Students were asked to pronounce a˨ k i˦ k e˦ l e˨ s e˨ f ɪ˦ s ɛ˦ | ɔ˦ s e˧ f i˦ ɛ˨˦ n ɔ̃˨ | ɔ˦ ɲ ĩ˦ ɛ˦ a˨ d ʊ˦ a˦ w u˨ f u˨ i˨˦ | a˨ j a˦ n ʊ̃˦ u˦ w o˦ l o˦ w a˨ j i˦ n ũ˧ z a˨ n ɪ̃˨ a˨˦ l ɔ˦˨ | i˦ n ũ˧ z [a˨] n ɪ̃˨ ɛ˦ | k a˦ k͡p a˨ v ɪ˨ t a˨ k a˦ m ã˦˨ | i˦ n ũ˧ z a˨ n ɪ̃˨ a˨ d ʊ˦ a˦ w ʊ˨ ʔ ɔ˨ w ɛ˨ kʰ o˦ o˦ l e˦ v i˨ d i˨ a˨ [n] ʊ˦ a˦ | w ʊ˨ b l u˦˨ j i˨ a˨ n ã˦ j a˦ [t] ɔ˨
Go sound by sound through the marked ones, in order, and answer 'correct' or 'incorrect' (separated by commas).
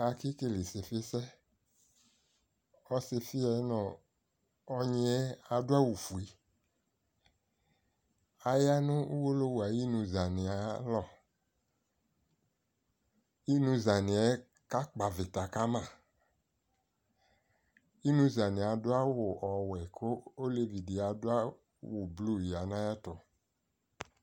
correct, incorrect, correct